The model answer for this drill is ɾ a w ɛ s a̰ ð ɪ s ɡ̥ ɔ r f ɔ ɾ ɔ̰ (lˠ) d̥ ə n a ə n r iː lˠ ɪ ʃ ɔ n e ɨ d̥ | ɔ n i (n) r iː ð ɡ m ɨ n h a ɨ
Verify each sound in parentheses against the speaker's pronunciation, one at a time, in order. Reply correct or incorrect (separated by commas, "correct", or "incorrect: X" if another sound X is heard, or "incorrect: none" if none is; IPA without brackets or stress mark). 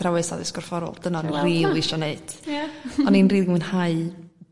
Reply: correct, correct